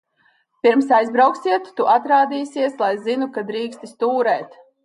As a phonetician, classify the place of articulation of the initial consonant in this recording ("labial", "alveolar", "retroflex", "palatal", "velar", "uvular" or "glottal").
labial